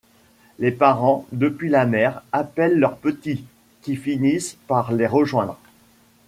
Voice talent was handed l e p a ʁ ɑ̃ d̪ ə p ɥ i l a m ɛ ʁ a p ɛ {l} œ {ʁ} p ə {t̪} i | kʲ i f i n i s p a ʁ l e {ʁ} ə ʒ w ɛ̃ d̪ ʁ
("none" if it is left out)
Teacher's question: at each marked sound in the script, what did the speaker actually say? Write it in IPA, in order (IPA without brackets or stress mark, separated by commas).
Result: lː, ʁ, t̪, ʁ